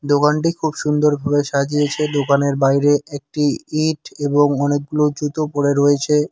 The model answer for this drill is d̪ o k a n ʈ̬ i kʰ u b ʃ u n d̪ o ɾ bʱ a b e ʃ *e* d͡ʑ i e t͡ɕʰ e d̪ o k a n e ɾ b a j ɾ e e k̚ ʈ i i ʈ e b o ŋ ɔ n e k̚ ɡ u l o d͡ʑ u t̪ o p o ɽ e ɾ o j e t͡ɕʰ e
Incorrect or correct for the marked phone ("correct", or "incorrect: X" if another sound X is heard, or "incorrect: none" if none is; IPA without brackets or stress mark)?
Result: incorrect: a